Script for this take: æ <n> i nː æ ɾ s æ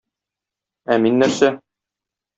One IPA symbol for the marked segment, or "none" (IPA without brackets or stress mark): m